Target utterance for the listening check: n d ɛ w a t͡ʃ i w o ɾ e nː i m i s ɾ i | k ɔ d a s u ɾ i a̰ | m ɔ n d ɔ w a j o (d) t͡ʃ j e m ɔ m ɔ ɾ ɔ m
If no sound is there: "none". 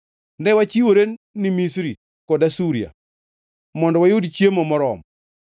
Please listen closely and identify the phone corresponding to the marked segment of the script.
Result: d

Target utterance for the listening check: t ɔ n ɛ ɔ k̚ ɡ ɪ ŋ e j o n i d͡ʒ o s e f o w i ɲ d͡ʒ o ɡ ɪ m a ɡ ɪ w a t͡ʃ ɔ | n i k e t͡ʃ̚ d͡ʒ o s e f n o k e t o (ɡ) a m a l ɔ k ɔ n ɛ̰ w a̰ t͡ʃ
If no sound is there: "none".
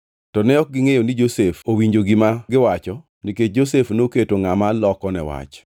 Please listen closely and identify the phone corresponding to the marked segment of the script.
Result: ŋ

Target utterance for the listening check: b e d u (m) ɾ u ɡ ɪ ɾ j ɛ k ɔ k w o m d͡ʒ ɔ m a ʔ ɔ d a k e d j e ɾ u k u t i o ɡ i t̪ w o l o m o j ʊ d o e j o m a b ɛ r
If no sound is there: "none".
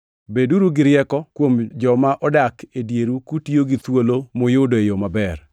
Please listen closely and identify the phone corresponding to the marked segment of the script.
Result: none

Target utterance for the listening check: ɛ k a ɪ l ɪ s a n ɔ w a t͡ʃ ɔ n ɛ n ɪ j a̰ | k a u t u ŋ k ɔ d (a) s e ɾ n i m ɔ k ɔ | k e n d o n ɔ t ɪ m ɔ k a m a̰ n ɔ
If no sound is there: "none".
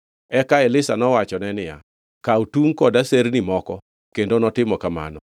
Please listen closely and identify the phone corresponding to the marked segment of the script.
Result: a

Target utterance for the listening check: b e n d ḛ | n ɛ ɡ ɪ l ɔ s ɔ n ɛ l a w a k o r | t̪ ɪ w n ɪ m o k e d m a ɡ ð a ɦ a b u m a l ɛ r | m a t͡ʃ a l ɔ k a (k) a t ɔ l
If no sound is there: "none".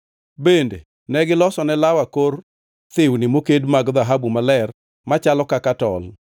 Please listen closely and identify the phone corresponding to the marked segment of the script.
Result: k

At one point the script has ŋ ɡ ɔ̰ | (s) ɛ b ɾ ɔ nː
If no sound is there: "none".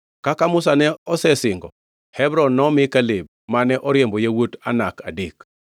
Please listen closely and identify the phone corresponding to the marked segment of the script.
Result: h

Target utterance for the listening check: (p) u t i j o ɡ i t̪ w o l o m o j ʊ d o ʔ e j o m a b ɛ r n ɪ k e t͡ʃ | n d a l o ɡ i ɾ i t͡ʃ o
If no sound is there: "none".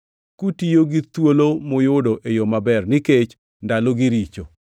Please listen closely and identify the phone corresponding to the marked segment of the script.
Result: k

